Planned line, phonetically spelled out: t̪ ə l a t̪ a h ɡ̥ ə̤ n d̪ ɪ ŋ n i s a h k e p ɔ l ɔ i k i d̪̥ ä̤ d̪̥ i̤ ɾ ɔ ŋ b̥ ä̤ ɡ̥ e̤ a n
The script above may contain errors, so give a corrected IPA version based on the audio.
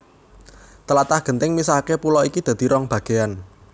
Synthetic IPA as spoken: t̪ ə l a t̪ a h ɡ̥ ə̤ n t̪ ɪ ŋ m i s a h k e p u l ɔ i k i d̪̥ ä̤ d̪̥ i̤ ɾ ɔ ŋ b̥ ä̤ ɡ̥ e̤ a n